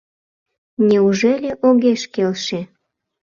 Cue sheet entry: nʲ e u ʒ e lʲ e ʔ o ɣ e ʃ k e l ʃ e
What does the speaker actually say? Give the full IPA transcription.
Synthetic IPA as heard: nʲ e u ʒ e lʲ e ʔ o ɣ e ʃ k e l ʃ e